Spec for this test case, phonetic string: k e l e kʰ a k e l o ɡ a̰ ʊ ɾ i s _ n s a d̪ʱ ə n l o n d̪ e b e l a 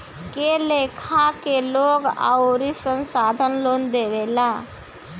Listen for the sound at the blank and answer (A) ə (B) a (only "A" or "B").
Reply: A